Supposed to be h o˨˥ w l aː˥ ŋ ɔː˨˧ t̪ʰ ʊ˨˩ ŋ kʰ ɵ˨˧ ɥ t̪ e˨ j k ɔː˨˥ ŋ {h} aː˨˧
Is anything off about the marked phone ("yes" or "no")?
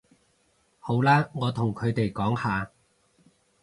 no